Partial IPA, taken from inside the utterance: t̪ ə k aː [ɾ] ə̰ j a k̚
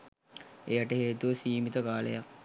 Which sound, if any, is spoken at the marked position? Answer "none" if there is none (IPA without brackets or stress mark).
l